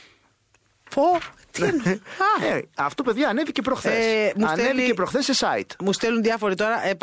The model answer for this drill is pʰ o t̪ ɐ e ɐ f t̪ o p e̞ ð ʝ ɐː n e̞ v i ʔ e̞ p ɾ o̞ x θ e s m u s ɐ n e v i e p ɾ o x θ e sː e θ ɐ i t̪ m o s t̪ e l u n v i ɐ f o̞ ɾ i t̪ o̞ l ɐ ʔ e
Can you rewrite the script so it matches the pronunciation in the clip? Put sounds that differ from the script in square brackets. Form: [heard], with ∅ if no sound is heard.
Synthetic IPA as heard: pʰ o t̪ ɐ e ɐ f t̪ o p e̞ ð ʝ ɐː n e̞ v i [c] e̞ p ɾ o̞ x θ e s m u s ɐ n e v i e p ɾ o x θ e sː e [s] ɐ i t̪ m [u] s t̪ e l u n [ð] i ɐ f o̞ ɾ i t̪ o̞ [ɾ] ɐ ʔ e